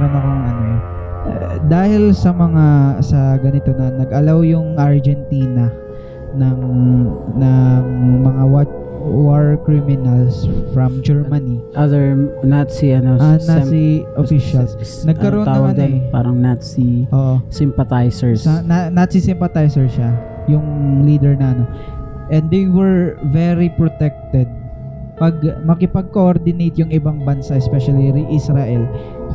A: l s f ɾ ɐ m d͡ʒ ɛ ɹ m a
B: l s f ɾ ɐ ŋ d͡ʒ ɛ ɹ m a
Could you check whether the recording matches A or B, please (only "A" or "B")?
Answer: A